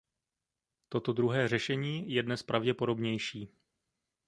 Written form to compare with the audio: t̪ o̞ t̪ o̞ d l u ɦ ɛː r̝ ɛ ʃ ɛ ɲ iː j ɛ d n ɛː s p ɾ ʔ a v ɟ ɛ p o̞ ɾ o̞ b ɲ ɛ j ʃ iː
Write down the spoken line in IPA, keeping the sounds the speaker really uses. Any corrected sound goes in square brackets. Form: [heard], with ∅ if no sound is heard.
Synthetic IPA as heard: t̪ o̞ t̪ o̞ d [ɾ] u ɦ ɛː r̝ ɛ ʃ ɛ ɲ iː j ɛ d n [ɛ] s p ɾ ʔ a v ɟ ɛ p o̞ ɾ o̞ b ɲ ɛ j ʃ iː

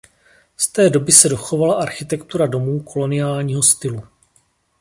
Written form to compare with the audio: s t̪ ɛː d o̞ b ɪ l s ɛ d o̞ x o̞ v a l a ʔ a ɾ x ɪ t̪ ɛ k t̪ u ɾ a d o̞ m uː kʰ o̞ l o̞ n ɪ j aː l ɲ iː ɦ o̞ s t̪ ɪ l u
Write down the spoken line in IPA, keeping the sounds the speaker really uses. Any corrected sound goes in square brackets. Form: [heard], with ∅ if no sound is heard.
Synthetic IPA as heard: s t̪ ɛː d o̞ b ɪ [∅] s ɛ d o̞ x o̞ v a l a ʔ a ɾ x ɪ t̪ ɛ k t̪ u ɾ a d o̞ m uː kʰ o̞ l o̞ n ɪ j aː l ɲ iː ɦ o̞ s t̪ ɪ l u

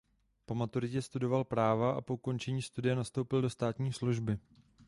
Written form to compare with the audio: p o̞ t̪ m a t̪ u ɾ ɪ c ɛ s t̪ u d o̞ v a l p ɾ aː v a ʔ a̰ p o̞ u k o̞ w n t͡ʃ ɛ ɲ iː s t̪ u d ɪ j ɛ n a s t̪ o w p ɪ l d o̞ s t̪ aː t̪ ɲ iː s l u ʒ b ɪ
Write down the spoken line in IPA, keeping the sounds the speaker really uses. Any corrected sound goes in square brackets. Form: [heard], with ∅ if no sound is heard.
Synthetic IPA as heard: p o̞ [∅] m a t̪ u ɾ ɪ c ɛ s t̪ u d o̞ v a l p ɾ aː v a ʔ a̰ p o̞ u k o̞ [∅] n t͡ʃ ɛ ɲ iː s t̪ u d ɪ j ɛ n a s t̪ o w p ɪ l d o̞ s t̪ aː t̪ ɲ iː s l u ʒ b ɪ

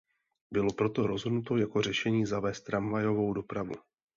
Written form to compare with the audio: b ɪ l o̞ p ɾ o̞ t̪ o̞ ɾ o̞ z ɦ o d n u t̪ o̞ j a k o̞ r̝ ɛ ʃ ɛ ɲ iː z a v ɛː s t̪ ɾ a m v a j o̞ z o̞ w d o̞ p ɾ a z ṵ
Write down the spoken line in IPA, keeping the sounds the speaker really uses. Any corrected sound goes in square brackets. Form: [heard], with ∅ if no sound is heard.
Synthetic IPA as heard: b ɪ l o̞ p ɾ o̞ t̪ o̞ ɾ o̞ z ɦ o d n u t̪ o̞ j a k o̞ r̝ ɛ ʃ ɛ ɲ iː z a v ɛː s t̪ ɾ a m v a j o̞ [v] o̞ w d o̞ p ɾ a [v] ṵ

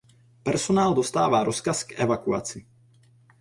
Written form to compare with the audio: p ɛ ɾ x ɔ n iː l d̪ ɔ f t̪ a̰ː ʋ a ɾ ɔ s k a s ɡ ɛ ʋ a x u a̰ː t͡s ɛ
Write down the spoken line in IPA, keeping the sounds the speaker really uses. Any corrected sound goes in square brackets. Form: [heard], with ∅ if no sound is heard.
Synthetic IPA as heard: p ɛ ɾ [s] ɔ n [aː] l d̪ ɔ [s] t̪ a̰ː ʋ a ɾ ɔ s k a s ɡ ɛ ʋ a [k] u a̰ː t͡s [i]

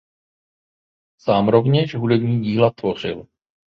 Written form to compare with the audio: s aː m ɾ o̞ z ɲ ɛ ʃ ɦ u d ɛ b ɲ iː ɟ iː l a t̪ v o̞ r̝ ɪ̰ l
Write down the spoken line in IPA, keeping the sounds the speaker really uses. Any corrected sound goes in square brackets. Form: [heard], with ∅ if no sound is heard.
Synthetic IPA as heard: s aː m ɾ o̞ [v] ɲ ɛ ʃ ɦ u d ɛ b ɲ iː ɟ iː l a t̪ v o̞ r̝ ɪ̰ l

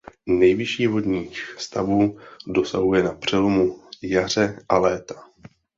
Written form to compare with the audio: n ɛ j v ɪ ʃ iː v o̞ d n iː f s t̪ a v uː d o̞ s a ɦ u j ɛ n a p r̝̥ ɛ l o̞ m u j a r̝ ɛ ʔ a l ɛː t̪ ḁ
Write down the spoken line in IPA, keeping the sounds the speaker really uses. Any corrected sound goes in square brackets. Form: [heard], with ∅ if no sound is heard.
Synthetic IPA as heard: n ɛ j v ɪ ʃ iː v o̞ d [ɲ] iː [x] s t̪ a v uː d o̞ s a ɦ u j ɛ n a p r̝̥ ɛ l o̞ m u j a r̝ ɛ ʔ a l ɛː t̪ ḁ

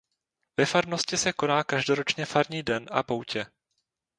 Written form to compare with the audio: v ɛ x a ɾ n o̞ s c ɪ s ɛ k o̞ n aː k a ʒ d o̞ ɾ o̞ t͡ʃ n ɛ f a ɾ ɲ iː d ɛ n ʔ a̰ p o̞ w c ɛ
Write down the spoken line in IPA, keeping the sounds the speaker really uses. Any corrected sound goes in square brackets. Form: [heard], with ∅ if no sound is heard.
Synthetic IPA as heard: v ɛ [f] a ɾ n o̞ s c ɪ s ɛ k o̞ n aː k a ʒ d o̞ ɾ o̞ t͡ʃ [ɲ] ɛ f a ɾ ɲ iː d ɛ n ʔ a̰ p o̞ w c ɛ

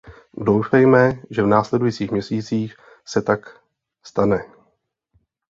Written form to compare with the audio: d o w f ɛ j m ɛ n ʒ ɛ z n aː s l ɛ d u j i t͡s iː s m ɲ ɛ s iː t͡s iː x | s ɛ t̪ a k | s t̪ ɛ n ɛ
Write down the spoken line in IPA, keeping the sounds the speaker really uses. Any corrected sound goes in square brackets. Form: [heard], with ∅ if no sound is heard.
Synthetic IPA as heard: d o w f ɛ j m ɛ [∅] ʒ ɛ [v] n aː s l ɛ d u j i t͡s iː [x] m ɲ ɛ s iː t͡s iː x | s ɛ t̪ a k | s t̪ [a] n ɛ

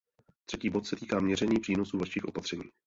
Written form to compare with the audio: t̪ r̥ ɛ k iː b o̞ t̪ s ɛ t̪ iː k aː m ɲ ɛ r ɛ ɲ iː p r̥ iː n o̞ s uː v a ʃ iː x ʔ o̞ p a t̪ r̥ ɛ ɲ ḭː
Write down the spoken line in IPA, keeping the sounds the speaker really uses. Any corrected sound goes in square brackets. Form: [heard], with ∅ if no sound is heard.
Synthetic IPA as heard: t̪ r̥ ɛ [c] iː b o̞ t̪ s ɛ t̪ iː k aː m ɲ ɛ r ɛ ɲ iː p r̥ iː n o̞ s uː v a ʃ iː x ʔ o̞ p a t̪ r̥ ɛ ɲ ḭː

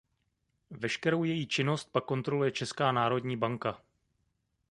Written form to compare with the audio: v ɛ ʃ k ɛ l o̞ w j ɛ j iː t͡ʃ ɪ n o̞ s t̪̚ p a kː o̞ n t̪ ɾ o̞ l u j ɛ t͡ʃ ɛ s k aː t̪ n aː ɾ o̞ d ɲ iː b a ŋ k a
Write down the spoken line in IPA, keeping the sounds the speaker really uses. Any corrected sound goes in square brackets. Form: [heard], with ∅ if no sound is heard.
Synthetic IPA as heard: v ɛ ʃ k ɛ [ɾ] o̞ w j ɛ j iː t͡ʃ ɪ n o̞ s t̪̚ p a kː o̞ n t̪ ɾ o̞ l u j ɛ t͡ʃ ɛ s k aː [∅] n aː ɾ o̞ d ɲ iː b a ŋ k a

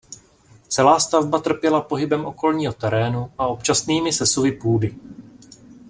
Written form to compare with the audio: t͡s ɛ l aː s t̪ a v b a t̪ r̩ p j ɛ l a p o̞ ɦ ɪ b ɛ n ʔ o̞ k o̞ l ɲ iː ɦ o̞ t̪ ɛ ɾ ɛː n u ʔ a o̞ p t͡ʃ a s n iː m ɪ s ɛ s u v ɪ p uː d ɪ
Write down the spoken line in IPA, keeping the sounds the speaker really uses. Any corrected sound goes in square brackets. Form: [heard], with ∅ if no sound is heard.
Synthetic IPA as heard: t͡s ɛ l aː s t̪ a v b a t̪ r̩ p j ɛ l a p o̞ ɦ ɪ b ɛ [m] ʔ o̞ k o̞ l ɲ iː ɦ o̞ t̪ ɛ ɾ ɛː n u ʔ a o̞ p t͡ʃ a s n iː m ɪ s ɛ s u v ɪ p uː d ɪ

